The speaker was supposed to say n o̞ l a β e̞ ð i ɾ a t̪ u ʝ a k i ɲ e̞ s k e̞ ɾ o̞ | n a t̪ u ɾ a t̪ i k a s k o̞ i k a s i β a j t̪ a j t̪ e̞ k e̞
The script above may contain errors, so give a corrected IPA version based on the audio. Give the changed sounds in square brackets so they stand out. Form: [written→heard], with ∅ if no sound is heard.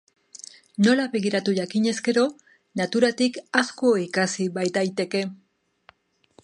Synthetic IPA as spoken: n o̞ l a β e̞ [ð→ɣ] i ɾ a t̪ u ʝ a k i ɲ e̞ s k e̞ ɾ o̞ | n a t̪ u ɾ a t̪ i k a s k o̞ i k a s i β a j t̪ a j t̪ e̞ k e̞